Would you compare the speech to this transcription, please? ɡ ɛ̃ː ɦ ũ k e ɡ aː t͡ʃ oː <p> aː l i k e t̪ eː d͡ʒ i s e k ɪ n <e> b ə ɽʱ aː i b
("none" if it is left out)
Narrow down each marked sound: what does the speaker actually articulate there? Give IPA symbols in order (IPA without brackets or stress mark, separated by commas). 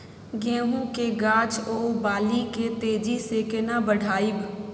b, a